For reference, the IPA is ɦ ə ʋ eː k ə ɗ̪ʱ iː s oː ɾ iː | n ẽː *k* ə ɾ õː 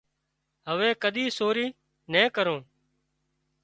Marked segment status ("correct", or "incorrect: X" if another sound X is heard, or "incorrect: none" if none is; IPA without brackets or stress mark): correct